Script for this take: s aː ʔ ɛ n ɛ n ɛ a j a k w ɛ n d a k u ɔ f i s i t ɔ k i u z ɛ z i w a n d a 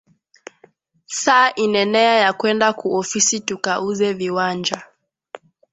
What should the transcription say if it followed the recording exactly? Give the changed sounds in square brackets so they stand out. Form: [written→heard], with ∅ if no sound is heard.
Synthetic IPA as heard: s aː ʔ [ɛ→i] n ɛ n ɛ a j a k w ɛ n d a k u ɔ f i s i t [ɔ→u] k [i→a] u z ɛ [z→v] i w a n [d→d͡ʒ] a